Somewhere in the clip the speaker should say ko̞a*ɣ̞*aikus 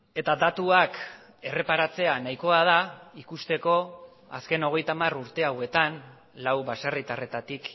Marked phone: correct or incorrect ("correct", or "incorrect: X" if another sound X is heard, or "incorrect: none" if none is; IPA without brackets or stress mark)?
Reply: incorrect: ð̞